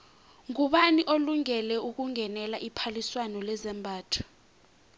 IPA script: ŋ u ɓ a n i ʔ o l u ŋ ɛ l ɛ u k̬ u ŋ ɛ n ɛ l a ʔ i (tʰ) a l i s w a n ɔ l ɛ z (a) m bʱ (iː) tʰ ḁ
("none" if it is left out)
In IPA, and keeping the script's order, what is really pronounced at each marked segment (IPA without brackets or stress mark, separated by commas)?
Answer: pʰ, ɛ, aː